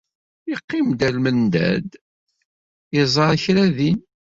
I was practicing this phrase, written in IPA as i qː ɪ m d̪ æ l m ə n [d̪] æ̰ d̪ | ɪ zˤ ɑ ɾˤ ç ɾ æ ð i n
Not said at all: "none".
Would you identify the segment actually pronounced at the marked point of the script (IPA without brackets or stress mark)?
d̪